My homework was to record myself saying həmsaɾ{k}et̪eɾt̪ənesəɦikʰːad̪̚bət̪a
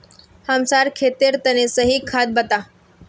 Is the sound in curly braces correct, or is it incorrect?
incorrect